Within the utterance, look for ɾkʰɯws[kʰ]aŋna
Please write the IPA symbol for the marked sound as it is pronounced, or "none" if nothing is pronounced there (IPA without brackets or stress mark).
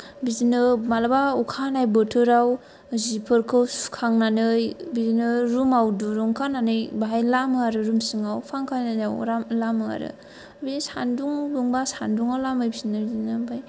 kʰ